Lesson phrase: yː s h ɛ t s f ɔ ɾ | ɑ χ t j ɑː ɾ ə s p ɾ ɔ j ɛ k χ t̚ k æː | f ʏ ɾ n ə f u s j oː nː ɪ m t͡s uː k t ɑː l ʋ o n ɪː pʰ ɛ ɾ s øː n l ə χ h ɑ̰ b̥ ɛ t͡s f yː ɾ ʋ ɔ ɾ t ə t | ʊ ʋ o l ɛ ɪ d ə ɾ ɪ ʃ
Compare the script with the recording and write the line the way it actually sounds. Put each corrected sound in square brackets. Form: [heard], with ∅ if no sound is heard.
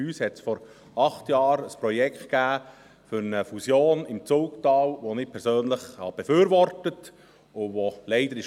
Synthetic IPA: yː s h ɛ t s f ɔ ɾ | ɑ χ t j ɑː ɾ ə s p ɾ ɔ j ɛ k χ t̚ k æː | f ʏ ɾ n ə f u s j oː [n] ɪ m t͡s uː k t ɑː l ʋ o n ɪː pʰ ɛ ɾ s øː n l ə χ h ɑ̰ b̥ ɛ [∅] f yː ɾ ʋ ɔ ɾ t ə t | ʊ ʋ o l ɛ ɪ d ə ɾ ɪ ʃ

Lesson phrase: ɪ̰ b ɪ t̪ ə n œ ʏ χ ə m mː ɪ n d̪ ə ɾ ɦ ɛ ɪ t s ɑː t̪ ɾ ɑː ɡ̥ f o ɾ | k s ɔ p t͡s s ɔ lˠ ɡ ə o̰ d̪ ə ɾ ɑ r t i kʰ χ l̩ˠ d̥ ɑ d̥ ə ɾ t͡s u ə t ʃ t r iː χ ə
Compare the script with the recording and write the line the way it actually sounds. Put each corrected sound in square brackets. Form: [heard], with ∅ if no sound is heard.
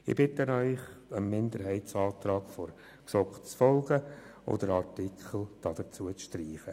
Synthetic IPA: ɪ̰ b ɪ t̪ ə n œ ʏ χ ə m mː ɪ n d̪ ə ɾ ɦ ɛ ɪ t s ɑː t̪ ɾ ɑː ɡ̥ f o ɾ | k s ɔ [k] t͡s [f] ɔ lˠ ɡ ə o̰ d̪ ə ɾ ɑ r t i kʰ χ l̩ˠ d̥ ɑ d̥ ə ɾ t͡s u ə [t͡s] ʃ t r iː χ ə

